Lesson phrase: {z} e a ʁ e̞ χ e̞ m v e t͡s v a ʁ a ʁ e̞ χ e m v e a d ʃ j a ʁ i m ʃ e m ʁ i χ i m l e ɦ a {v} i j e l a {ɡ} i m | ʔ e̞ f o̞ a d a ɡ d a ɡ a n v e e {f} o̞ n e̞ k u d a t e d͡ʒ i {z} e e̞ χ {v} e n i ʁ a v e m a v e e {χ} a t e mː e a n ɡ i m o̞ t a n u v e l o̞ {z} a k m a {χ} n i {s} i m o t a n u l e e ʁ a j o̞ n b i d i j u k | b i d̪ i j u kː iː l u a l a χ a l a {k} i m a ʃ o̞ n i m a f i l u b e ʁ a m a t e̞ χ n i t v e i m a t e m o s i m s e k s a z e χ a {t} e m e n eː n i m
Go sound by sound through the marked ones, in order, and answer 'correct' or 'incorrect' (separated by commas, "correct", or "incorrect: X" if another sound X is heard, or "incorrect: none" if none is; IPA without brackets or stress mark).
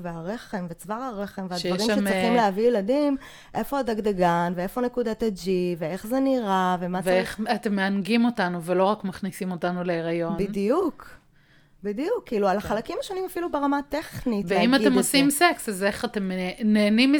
incorrect: v, correct, incorrect: d, correct, incorrect: v, incorrect: z, correct, incorrect: ʁ, correct, correct, correct, correct